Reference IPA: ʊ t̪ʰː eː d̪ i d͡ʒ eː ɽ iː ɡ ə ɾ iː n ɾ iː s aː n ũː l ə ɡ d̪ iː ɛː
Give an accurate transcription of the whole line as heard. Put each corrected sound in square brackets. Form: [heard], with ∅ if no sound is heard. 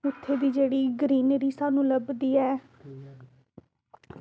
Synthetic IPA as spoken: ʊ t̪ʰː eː d̪ [iː] d͡ʒ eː ɽ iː ɡ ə ɾ iː n ɾ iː s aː n ũː l ə [b] d̪ iː ɛː